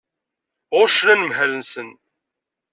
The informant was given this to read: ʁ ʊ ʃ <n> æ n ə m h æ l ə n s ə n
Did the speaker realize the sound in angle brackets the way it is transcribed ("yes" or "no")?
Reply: yes